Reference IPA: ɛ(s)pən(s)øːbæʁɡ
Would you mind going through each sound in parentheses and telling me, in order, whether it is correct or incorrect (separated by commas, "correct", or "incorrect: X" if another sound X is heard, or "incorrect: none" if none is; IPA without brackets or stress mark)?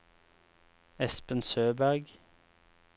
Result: correct, correct